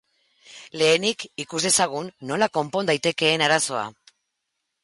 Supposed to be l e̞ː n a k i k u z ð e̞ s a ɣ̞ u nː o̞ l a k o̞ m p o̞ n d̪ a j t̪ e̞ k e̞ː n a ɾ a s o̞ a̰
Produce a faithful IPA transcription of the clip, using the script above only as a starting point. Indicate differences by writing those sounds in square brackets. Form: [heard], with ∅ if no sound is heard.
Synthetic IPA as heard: l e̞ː n [i] k i k u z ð e̞ s a ɣ̞ u nː o̞ l a k o̞ m p o̞ n d̪ a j t̪ e̞ k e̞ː n a ɾ a s o̞ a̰